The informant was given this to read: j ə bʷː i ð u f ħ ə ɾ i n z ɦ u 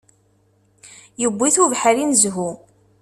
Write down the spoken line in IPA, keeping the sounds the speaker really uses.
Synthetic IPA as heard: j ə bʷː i θ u v ħ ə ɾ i n z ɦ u